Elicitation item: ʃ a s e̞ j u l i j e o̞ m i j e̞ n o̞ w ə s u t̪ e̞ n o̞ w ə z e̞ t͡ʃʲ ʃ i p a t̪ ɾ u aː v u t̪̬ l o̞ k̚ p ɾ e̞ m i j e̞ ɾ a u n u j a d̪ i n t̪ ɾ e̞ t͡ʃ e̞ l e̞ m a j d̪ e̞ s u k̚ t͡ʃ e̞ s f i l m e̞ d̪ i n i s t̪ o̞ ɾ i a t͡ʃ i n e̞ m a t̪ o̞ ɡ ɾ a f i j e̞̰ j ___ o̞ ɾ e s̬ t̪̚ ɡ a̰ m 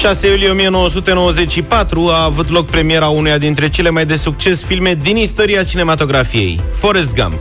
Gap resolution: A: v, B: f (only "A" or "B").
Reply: B